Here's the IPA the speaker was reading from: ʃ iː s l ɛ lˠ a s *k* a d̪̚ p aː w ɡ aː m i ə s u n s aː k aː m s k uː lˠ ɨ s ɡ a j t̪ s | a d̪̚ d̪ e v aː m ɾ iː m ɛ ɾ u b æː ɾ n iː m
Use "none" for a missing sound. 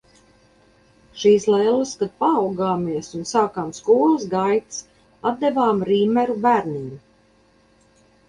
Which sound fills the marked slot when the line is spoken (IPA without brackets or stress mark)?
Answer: k